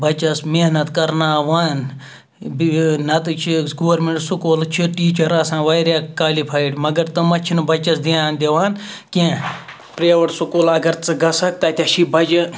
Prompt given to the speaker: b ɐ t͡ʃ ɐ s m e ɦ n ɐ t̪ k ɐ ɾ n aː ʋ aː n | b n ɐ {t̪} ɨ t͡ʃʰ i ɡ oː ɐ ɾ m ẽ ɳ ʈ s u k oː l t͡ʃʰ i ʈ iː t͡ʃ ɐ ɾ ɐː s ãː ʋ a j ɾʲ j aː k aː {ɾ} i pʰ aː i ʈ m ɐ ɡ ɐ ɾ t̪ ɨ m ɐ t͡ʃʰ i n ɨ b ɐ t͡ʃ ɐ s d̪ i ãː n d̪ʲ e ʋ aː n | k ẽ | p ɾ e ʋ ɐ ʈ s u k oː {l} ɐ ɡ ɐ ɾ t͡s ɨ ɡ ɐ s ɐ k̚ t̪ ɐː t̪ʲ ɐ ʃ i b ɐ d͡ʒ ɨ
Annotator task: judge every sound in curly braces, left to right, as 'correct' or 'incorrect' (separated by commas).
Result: correct, incorrect, correct